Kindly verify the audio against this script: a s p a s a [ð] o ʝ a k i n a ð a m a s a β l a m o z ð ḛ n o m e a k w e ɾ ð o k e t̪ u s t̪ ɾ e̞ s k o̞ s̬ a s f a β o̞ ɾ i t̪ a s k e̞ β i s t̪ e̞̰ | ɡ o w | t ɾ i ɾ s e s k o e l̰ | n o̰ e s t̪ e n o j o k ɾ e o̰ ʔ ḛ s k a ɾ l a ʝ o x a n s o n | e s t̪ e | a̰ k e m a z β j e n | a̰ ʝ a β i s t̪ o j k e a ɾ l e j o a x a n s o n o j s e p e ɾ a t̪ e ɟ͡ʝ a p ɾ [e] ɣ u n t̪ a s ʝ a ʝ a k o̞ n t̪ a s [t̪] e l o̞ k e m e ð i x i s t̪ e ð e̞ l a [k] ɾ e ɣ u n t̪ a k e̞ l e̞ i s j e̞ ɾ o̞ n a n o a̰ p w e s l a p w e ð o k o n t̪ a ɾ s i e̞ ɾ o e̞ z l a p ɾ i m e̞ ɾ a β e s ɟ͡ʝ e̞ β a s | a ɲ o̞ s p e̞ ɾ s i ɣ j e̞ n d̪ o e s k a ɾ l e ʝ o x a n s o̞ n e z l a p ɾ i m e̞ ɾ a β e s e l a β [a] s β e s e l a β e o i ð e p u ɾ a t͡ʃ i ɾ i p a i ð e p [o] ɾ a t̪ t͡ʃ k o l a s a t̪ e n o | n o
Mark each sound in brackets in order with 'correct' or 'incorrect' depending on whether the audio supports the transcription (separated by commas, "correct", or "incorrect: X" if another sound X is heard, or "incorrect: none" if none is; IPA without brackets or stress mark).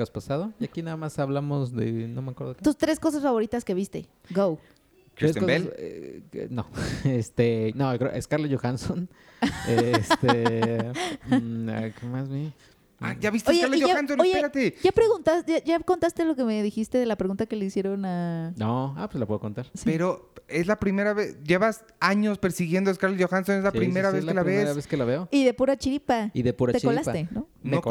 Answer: correct, correct, correct, incorrect: p, incorrect: e, incorrect: u